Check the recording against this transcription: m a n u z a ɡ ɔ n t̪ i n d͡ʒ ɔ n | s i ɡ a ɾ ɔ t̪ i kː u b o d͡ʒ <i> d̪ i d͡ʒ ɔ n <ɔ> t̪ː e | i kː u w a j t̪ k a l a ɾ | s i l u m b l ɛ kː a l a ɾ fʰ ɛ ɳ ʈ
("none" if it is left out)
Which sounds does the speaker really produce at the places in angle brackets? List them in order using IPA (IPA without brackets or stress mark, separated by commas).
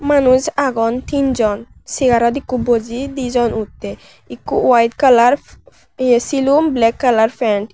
i, u